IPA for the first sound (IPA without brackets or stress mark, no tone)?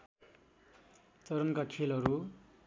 t͡s